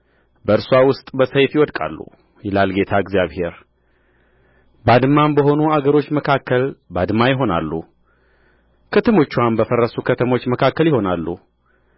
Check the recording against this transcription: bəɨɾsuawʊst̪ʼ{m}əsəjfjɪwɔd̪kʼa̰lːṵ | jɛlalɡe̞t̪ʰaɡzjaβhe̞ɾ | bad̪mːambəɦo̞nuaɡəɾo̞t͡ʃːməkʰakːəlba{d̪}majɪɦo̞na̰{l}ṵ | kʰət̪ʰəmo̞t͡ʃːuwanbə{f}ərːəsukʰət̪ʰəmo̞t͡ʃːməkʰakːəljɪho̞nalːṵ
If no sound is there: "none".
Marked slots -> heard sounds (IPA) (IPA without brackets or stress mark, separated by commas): b, d̪, lː, f